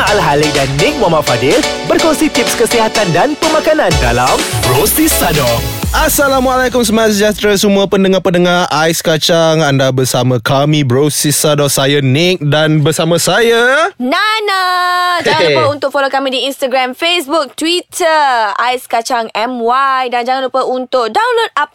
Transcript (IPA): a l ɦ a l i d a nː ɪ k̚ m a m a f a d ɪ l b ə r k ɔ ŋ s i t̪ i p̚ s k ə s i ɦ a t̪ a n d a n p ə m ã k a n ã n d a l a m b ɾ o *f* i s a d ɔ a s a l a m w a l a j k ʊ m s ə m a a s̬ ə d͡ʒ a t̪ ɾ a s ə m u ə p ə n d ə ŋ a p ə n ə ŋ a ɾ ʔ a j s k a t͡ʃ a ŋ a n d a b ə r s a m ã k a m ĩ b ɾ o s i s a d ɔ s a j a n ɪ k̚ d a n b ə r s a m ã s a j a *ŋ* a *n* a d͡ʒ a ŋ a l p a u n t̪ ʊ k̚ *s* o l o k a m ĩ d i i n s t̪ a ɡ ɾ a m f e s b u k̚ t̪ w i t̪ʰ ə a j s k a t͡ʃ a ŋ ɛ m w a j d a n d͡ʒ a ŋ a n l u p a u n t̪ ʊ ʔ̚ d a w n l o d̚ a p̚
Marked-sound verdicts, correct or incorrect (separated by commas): incorrect, incorrect, correct, incorrect